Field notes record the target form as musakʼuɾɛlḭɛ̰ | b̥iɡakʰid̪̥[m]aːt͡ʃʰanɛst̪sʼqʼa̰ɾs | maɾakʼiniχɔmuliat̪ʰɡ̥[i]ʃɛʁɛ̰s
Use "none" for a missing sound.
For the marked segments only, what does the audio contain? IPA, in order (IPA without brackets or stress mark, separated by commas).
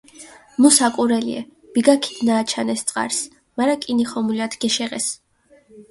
n, ɛ